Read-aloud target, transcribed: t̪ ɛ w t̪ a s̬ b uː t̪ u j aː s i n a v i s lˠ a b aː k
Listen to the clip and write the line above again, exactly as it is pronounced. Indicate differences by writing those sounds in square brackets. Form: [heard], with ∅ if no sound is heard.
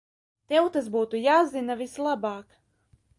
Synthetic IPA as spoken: t̪ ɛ w t̪ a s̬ b uː t̪ u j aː [z] i n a v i s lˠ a b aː k